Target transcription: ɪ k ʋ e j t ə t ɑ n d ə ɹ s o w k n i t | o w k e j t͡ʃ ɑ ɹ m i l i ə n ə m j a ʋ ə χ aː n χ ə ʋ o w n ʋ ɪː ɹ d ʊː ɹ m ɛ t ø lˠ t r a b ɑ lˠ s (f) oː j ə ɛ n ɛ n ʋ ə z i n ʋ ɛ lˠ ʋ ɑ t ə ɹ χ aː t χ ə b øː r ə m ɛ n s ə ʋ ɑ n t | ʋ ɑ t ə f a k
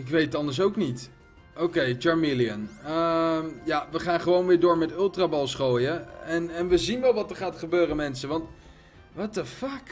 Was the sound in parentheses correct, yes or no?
no